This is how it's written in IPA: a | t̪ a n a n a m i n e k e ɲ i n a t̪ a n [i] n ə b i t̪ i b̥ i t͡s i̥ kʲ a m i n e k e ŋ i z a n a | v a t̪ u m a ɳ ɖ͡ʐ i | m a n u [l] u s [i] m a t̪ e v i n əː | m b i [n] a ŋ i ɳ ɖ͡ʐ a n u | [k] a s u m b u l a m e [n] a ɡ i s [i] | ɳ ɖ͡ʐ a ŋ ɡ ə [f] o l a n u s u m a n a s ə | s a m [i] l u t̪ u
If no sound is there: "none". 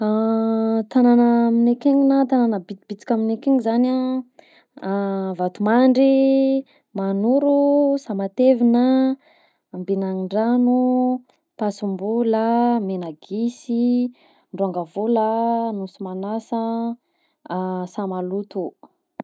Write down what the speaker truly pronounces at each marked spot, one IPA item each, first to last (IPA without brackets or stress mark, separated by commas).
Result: a, ɾ, a, n, p, n, i, v, a